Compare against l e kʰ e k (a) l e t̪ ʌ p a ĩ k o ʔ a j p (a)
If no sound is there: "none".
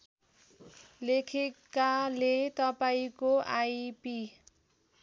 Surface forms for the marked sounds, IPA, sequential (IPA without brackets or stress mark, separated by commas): a, i